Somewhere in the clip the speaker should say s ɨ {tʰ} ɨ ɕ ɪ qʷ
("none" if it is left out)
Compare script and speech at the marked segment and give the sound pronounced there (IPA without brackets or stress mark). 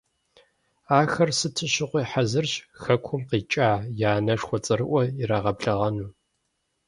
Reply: tʰ